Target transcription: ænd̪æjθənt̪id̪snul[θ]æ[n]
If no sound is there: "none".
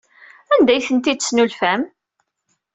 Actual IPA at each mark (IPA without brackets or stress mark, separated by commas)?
f, m